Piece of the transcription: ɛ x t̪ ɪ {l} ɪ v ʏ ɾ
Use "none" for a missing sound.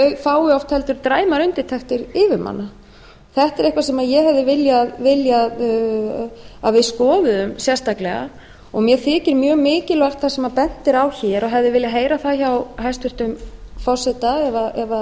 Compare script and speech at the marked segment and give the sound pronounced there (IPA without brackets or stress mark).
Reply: ɾ